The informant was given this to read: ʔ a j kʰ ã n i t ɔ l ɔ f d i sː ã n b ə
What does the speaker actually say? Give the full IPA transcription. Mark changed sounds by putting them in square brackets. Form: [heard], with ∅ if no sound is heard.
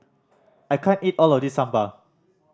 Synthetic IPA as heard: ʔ a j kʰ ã n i t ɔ l ɔ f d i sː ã [m] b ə